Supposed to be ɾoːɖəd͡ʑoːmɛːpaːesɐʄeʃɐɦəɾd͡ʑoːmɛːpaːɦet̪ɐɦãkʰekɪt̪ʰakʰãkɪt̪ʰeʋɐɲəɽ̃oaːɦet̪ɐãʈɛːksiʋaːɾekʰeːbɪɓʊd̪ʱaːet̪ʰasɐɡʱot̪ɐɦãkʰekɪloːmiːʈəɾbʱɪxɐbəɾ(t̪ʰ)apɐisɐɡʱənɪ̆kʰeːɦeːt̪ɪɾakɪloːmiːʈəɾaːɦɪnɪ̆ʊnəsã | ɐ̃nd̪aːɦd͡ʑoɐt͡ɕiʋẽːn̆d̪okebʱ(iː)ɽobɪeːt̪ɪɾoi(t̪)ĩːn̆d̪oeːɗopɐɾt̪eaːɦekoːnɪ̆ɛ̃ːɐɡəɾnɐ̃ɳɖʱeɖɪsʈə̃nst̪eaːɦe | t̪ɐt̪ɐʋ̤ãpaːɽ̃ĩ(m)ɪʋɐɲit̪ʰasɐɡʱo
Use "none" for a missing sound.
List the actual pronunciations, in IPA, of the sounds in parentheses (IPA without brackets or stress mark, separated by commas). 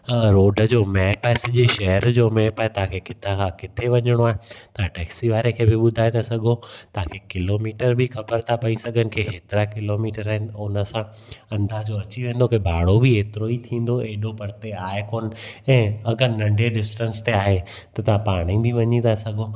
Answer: t̪ʰ, aː, t̪ʰ, b